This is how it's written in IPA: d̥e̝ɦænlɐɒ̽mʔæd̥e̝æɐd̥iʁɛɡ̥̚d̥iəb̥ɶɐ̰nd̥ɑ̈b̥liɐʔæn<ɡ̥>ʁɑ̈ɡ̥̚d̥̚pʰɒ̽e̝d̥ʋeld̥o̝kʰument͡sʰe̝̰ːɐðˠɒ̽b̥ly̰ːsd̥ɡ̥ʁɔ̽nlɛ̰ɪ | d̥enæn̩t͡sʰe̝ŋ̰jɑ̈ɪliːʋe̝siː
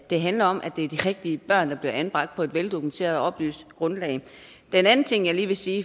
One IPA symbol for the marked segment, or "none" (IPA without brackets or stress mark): b̥